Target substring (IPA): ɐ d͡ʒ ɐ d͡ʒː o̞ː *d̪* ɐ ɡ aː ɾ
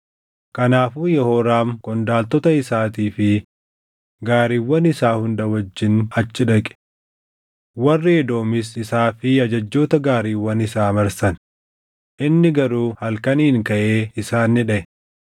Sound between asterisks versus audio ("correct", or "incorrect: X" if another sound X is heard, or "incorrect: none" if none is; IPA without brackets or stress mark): incorrect: t̪